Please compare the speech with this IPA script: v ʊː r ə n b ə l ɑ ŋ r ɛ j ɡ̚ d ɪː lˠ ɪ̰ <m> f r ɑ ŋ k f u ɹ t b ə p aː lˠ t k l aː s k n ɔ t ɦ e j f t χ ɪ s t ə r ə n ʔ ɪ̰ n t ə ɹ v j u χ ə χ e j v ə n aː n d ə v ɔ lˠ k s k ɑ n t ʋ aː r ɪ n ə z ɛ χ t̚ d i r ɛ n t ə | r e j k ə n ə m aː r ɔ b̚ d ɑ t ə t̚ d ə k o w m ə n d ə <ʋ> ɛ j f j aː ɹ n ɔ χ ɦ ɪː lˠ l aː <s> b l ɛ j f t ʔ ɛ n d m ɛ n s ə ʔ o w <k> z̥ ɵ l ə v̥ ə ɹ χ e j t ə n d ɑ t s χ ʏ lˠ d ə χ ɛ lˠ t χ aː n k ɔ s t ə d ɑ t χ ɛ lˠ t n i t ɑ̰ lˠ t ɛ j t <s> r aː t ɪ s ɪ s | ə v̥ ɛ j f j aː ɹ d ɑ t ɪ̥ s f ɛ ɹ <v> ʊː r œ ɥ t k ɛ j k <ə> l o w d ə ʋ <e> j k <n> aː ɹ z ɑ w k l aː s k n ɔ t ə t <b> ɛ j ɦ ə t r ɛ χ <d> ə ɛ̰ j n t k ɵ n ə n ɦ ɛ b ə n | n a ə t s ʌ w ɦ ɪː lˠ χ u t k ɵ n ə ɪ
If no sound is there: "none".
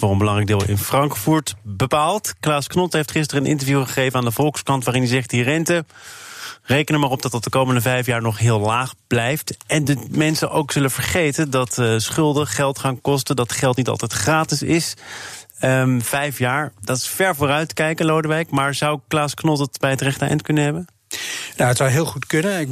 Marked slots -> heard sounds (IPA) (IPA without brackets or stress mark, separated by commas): n, v, χ, k, χ, v, ə, ɛ, m, b, t